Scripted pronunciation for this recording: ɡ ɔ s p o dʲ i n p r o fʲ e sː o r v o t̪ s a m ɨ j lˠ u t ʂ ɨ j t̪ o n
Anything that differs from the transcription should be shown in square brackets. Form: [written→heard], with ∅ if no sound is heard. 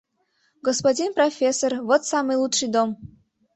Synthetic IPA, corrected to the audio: ɡ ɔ s p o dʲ i n p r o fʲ e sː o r v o t̪ s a m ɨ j lˠ u t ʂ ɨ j [t̪→d̪] o [n→m]